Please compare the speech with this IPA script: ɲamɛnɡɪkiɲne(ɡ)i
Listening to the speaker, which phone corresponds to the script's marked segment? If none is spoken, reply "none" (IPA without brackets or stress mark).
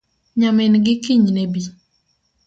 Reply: b